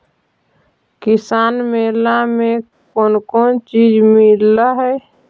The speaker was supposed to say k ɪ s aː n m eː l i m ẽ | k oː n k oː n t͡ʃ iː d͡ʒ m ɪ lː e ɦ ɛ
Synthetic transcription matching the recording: k ɪ s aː n m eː l a m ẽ | k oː n k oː n t͡ʃ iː d͡ʒ m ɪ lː a ɦ ɛ